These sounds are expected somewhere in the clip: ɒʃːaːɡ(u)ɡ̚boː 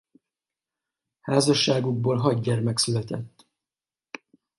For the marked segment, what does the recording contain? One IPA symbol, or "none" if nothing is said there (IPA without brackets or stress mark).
u